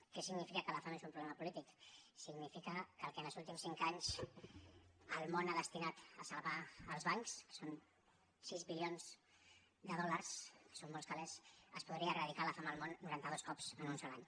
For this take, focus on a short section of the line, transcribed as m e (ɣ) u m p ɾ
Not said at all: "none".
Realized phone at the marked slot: z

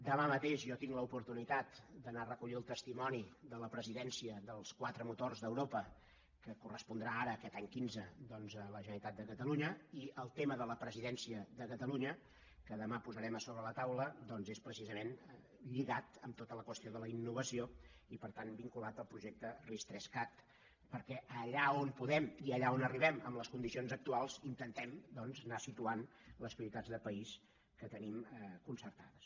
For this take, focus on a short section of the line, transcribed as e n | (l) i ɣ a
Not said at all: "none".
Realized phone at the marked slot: ʎ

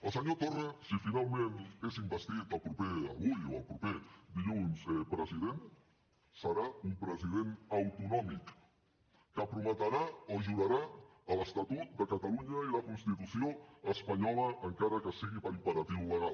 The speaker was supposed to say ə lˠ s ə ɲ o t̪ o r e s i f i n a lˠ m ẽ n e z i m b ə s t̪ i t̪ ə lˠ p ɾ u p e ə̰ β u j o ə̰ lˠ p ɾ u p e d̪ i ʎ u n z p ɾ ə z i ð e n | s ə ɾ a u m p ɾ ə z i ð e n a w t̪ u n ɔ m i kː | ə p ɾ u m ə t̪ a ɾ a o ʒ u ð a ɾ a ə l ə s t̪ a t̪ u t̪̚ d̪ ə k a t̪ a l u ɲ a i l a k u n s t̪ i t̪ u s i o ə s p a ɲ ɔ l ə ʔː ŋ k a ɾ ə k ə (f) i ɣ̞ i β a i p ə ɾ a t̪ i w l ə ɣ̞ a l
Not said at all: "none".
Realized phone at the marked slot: s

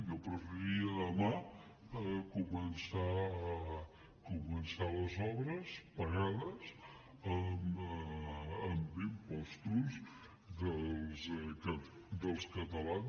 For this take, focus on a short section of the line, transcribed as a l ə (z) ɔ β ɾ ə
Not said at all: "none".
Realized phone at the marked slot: z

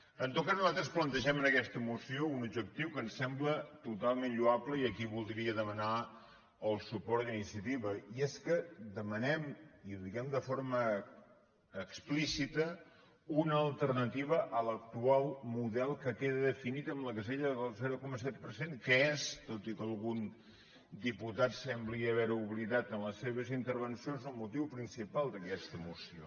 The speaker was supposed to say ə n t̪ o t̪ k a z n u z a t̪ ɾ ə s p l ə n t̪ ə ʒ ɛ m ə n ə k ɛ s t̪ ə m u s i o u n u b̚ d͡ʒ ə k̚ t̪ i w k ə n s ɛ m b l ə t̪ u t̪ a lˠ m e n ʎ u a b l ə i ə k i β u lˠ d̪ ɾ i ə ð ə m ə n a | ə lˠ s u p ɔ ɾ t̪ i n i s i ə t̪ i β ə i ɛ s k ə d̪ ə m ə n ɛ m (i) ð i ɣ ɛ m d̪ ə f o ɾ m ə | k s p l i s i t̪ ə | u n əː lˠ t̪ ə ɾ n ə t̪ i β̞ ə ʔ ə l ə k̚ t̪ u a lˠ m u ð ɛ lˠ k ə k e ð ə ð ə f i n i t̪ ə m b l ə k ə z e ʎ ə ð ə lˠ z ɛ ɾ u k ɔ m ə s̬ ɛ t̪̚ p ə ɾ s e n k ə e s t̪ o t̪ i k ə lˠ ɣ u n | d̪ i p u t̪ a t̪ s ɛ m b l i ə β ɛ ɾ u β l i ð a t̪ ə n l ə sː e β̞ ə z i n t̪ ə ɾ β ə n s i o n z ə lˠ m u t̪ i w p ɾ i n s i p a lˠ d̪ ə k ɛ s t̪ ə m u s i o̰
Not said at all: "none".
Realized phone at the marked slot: i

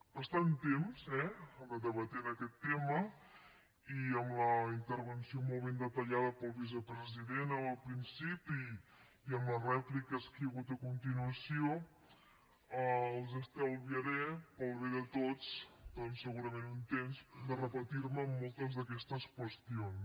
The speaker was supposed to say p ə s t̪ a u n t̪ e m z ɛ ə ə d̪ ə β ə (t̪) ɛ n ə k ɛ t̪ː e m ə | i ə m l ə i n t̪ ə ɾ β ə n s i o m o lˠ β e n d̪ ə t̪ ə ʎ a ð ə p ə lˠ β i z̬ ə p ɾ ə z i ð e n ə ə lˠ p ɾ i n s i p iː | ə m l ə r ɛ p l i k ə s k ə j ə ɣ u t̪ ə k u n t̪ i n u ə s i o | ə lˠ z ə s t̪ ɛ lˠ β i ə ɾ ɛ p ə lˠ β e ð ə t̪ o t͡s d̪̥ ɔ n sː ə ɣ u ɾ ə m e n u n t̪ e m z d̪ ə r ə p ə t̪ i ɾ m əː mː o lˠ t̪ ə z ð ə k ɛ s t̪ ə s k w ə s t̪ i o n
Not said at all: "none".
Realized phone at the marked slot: t̪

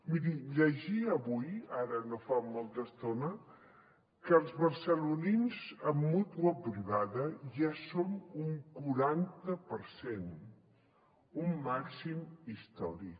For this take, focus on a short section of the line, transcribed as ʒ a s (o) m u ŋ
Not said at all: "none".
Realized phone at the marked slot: o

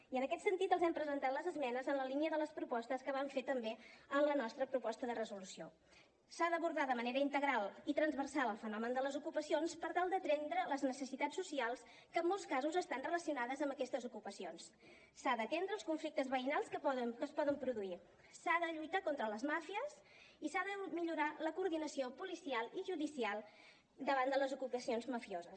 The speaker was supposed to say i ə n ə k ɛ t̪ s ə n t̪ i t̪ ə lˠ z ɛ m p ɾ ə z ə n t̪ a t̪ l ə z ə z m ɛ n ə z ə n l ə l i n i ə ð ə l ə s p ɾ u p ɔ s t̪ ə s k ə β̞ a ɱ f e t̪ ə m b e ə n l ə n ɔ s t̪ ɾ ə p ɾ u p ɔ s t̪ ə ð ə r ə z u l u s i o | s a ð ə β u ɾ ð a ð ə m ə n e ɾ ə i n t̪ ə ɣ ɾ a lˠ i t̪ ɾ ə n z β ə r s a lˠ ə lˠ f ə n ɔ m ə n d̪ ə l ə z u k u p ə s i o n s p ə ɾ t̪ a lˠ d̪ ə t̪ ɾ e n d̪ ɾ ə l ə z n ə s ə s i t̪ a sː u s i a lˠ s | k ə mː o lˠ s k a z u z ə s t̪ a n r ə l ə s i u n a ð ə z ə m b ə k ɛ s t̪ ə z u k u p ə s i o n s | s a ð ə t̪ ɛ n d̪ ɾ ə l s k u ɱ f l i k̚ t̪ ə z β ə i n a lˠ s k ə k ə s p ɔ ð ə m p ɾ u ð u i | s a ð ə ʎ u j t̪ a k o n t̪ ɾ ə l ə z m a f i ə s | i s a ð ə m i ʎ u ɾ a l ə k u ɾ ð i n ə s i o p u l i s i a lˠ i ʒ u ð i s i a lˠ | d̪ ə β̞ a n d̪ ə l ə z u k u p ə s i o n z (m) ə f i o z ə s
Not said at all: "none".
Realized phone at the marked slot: m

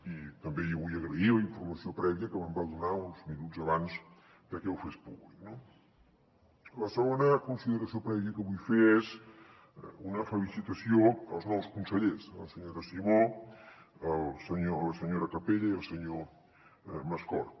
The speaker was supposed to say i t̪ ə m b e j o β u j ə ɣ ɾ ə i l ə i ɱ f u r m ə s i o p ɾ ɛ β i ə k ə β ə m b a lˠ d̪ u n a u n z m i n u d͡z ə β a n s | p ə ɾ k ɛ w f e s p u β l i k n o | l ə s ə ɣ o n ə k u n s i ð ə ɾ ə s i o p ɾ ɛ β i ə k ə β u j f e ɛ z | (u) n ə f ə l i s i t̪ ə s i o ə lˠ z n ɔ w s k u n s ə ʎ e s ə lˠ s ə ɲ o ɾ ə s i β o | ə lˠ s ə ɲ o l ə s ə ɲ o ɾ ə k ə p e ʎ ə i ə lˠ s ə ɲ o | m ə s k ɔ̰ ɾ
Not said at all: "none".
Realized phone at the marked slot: u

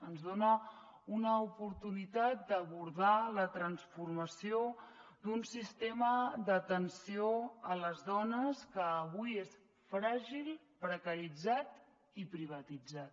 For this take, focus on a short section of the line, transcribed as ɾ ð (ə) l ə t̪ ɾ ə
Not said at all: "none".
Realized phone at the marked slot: a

